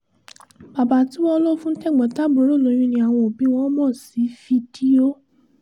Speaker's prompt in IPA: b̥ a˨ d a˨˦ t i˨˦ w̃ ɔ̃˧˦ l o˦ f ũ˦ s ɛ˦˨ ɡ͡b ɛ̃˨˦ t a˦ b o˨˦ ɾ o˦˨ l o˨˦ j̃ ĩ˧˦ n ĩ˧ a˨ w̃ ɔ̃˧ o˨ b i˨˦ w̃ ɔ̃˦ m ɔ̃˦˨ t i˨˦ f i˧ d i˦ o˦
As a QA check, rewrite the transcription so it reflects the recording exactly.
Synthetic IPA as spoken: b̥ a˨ b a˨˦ t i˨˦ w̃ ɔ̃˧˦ l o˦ f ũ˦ t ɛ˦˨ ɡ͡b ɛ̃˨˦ t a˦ b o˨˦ ɾ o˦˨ l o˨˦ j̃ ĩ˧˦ n ĩ˧ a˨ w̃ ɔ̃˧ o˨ b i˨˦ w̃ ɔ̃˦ m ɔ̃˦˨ s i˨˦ f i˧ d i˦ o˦

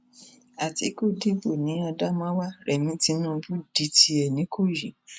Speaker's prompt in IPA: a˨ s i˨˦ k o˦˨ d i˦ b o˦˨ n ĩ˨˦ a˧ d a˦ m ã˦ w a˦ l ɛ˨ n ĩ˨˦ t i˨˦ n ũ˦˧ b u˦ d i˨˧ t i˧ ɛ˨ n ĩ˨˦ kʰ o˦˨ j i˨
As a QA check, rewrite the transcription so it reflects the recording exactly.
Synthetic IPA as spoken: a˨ t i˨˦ k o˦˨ d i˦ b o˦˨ n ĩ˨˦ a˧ d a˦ m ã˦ w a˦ ɾ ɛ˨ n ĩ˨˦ t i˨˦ n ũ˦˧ b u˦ d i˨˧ t i˧ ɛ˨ n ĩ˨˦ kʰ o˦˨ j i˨

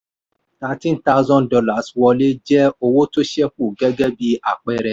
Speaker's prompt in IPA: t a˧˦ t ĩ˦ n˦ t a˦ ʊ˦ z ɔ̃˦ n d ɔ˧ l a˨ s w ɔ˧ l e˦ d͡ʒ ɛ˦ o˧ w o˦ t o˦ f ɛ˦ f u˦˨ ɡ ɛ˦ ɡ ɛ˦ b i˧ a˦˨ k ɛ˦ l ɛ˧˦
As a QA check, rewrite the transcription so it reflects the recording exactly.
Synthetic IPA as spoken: t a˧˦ t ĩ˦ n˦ t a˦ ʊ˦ z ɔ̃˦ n d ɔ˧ l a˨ s w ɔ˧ l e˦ d͡ʒ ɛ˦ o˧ w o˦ t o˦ ʃ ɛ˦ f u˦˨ ɡ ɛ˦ ɡ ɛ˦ b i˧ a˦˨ k͡p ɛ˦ ɾ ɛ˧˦

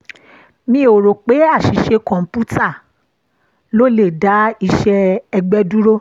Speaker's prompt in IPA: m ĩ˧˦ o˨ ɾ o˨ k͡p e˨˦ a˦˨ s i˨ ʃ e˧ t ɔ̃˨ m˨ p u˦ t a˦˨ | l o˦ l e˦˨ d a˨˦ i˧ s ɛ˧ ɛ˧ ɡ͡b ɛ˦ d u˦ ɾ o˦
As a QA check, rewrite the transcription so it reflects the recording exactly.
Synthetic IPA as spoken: m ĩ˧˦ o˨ ɾ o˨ k͡p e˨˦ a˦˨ ʃ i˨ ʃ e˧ k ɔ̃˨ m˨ p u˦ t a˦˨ | l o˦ l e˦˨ d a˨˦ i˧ ʃ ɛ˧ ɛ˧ ɡ͡b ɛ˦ d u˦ ɾ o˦

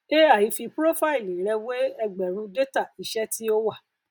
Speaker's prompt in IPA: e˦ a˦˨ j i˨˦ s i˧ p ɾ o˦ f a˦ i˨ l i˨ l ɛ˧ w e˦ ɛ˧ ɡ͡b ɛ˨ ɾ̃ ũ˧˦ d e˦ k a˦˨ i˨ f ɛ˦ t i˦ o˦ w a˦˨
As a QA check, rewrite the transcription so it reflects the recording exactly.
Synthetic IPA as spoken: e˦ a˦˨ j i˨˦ f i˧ p ɾ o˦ f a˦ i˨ l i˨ ɾ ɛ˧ w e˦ ɛ˧ ɡ͡b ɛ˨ ɾ̃ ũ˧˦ d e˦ t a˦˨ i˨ ʃ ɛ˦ t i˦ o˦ w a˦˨

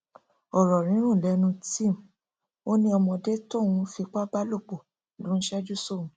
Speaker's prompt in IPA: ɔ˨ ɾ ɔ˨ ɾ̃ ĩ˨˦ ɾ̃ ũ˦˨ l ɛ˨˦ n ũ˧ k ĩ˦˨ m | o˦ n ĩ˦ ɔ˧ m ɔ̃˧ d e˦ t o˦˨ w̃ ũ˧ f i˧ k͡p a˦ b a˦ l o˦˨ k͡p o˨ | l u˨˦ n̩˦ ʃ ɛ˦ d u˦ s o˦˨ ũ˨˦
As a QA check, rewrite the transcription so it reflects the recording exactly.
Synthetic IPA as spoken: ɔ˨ ɾ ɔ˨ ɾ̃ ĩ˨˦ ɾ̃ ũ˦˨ l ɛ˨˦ n ũ˧ t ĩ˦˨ m | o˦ n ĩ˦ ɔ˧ m ɔ̃˧ d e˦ t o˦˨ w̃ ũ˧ f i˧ k͡p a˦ b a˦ l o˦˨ k͡p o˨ | l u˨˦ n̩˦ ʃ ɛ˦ d͡ʒ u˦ s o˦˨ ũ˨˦

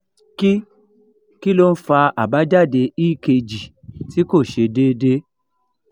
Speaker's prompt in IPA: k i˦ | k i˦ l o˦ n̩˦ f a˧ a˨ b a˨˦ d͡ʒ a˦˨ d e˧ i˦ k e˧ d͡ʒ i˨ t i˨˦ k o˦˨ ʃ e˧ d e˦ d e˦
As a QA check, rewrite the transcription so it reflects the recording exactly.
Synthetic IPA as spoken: k i˦ | k i˦ l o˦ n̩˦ f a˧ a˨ b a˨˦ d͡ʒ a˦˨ d e˧ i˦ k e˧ d͡ʒ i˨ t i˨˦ k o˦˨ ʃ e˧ d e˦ d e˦

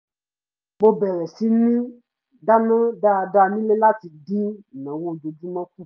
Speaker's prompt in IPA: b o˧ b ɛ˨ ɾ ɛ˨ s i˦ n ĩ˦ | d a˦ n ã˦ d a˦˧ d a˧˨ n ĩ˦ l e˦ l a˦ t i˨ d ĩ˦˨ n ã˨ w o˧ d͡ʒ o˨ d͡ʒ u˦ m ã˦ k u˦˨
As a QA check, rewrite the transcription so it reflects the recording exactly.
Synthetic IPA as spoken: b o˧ b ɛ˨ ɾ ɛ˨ s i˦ n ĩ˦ | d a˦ n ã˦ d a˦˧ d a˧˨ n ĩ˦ l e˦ l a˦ t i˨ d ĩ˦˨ n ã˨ w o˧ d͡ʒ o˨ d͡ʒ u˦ m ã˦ k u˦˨

